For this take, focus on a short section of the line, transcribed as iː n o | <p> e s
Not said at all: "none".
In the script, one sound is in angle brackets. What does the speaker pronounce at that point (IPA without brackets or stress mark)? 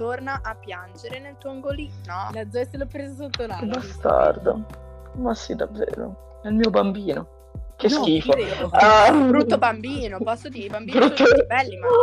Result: k